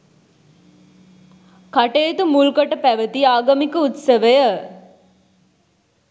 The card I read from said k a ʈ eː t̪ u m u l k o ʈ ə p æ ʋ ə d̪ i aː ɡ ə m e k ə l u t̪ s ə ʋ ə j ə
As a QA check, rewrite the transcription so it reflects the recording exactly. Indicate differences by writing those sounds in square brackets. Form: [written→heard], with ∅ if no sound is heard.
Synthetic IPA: k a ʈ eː t̪ u m u l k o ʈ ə p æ ʋ ə [d̪→t̪] i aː ɡ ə m [e→i] k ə [l→∅] u t̪ s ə ʋ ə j ə